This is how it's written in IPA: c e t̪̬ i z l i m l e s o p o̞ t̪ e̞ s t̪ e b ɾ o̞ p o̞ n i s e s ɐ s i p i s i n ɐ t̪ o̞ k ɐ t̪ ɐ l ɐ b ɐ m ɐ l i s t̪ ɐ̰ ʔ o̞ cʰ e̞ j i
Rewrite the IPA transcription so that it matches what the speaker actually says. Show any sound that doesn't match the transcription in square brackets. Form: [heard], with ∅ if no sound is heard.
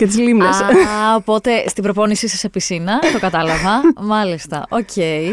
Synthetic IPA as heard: c e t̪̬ i z l i m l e s o p o̞ t̪ e̞ s t̪ [i] b ɾ o̞ p o̞ n i s [i] s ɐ s [e] p i s i n ɐ t̪ o̞ k ɐ t̪ ɐ l ɐ [v] ɐ m ɐ l i s t̪ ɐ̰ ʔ o̞ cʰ e̞ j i